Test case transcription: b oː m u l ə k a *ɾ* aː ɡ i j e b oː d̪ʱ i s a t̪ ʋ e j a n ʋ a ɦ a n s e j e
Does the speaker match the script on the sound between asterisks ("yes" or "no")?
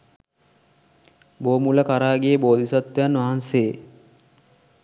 yes